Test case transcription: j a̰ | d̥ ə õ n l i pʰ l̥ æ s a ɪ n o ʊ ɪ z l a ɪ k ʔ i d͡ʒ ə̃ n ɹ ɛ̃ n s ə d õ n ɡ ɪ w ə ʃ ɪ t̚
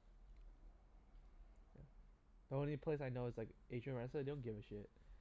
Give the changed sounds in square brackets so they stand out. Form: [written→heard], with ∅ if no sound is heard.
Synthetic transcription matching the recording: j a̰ | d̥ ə õ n l i pʰ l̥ [æ→e] s a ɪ n o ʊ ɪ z l a ɪ k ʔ [i→e] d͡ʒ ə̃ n ɹ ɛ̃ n s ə d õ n ɡ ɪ [w→v] ə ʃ ɪ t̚